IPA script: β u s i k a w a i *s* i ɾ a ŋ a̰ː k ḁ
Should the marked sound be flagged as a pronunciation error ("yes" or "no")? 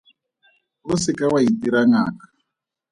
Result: yes